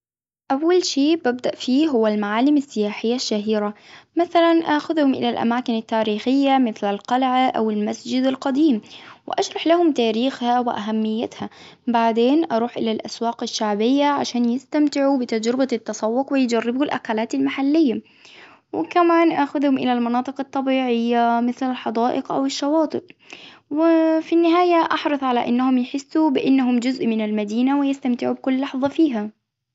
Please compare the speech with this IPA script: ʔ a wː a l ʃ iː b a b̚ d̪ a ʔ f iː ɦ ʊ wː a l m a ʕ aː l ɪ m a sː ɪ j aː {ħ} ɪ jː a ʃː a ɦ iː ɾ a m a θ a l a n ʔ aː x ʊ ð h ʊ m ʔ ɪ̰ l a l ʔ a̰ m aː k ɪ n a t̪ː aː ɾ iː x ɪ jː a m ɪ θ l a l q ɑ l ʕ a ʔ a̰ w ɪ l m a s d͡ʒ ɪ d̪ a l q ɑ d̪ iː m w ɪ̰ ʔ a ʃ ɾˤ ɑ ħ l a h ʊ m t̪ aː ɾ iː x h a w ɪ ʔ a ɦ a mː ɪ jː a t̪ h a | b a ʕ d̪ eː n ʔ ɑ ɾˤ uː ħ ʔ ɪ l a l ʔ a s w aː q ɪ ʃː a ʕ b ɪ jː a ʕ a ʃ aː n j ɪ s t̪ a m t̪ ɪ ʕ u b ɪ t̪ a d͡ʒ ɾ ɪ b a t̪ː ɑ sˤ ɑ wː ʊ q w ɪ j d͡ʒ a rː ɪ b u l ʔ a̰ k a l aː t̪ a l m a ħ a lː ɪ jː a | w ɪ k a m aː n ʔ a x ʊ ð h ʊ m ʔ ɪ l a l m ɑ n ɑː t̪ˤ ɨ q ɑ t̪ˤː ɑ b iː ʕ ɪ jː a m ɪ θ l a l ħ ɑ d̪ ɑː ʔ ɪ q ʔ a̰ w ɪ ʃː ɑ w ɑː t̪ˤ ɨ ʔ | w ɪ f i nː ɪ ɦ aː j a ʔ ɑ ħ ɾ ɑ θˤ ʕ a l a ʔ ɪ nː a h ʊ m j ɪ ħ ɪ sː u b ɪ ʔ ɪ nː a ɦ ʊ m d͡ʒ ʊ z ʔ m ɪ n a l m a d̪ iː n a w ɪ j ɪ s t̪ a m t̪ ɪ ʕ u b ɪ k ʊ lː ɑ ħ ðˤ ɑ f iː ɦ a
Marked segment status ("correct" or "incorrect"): correct